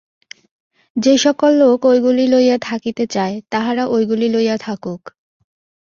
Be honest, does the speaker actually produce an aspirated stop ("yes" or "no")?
yes